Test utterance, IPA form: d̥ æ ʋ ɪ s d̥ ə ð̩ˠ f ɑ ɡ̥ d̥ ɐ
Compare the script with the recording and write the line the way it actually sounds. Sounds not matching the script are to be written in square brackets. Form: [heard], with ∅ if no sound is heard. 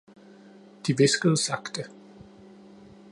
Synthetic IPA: d̥ [i] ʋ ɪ s [ɡ̥] ə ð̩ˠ [s] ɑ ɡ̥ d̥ [ə]

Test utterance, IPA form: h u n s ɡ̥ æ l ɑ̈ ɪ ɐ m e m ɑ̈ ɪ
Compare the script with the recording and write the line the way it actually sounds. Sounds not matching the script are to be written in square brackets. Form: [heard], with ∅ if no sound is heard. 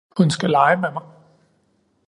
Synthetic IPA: h u n s ɡ̥ æ l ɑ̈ ɪ [ə] m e m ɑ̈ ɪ

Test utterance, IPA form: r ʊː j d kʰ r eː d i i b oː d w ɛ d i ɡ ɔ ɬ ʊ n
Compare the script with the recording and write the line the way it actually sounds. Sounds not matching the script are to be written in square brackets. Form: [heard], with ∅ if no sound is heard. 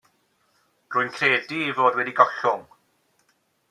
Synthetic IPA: r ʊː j [n] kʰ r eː d i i [v] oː d w ɛ d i ɡ ɔ ɬ ʊ [ŋ]

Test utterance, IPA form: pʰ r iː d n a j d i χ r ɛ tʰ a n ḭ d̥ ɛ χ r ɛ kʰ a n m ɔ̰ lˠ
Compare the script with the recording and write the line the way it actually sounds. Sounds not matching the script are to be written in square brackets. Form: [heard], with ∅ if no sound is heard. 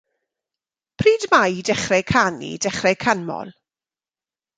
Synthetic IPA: pʰ r iː d [m] a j d [ɛ] χ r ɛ [kʰ] a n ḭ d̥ ɛ χ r ɛ kʰ a n m ɔ̰ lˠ

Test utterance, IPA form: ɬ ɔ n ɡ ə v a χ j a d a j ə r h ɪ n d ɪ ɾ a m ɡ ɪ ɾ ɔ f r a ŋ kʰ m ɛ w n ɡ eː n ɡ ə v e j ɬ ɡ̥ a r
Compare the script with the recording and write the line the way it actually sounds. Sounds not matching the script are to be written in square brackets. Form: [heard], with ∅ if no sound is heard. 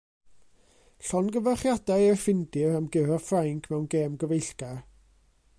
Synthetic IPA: ɬ ɔ n ɡ ə v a χ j a d a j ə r [f] ɪ n d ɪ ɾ a m ɡ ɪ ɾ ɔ f r a ŋ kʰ m ɛ w n ɡ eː [m] ɡ ə v e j ɬ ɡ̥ a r

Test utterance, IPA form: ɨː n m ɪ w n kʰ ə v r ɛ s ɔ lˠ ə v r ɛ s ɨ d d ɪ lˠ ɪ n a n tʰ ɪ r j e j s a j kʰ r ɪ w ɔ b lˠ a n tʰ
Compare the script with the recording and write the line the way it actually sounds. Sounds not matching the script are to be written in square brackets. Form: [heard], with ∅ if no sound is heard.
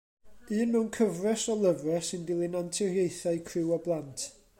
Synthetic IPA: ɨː n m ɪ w n kʰ ə v r ɛ s ɔ lˠ ə v r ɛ s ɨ [n] d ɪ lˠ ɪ n a n tʰ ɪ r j e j [θ] a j kʰ r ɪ w ɔ b lˠ a n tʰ

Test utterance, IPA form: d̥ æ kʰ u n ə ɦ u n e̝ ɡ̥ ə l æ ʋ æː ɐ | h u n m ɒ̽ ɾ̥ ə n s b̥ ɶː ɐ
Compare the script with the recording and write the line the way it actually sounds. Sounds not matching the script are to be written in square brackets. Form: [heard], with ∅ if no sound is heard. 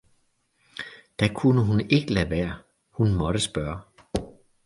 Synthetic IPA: d̥ æ kʰ u n ə ɦ u n e̝ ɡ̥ ə l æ ʋ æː ɐ | h u n m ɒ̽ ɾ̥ ə [∅] s b̥ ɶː ɐ

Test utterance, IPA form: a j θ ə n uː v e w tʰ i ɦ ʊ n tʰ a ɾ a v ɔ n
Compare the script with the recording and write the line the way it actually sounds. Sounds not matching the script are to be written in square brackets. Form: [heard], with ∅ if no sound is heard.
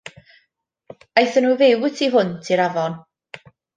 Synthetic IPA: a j θ ə n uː v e w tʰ i ɦ ʊ n tʰ [i] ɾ a v ɔ n

